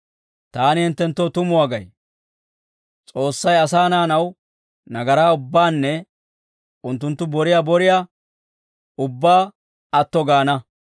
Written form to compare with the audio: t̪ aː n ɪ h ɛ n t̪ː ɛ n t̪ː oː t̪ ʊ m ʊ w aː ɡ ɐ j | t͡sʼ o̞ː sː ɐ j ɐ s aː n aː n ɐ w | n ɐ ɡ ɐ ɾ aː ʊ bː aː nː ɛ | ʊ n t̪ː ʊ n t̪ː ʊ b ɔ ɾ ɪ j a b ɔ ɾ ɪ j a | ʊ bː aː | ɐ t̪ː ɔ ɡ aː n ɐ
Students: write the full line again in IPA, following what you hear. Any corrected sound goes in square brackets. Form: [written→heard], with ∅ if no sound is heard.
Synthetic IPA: t̪ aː n ɪ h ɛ n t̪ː ɛ n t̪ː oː t̪ ʊ m ʊ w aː ɡ ɐ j | t͡sʼ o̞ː sː ɐ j ɐ s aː n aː n ɐ w | n ɐ ɡ ɐ ɾ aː ʊ bː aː nː ɛ | ʊ n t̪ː ʊ n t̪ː ʊ b ɔ ɾ ɪ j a b ɔ ɾ ɪ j a | ʊ bː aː | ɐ t̪ː ɔ ɡ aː n ɐ